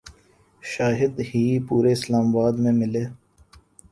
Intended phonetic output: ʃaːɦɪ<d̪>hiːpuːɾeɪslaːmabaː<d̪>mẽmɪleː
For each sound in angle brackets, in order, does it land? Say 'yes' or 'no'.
yes, yes

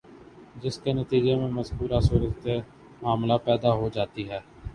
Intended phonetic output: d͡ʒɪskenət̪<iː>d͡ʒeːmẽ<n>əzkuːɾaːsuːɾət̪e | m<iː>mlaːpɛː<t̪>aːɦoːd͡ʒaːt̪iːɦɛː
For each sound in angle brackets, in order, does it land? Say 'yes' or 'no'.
yes, no, no, no

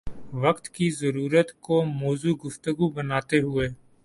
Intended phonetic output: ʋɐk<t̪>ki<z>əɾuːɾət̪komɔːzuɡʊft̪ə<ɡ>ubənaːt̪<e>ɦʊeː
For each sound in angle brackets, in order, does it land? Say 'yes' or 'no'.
yes, yes, yes, yes

